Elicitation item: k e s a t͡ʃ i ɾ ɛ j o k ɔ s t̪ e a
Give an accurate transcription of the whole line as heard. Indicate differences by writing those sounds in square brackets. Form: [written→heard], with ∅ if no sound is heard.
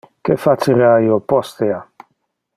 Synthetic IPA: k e [s→f] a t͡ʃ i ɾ [ɛ→a] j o [k→p] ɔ s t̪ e a